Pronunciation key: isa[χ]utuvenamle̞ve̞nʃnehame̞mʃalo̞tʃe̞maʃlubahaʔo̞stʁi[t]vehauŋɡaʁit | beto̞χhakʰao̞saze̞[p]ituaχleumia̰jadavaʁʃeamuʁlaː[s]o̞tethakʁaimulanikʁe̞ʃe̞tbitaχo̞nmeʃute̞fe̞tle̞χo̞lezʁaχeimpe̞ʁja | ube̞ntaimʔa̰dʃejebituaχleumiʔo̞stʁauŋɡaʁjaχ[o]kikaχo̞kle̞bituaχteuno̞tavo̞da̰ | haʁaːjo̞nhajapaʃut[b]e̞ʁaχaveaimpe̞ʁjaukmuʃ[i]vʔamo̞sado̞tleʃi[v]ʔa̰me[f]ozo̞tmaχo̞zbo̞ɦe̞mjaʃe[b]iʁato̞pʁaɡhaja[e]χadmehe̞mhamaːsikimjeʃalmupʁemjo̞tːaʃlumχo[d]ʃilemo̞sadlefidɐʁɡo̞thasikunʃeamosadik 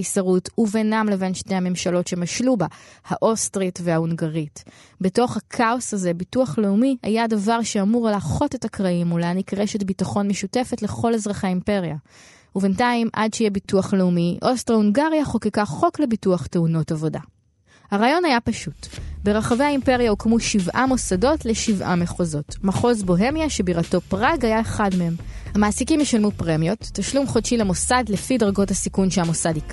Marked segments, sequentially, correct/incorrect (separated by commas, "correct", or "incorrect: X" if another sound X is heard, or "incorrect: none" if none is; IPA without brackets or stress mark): incorrect: ʁ, correct, incorrect: b, incorrect: χ, correct, correct, correct, correct, incorrect: χ, correct, correct, correct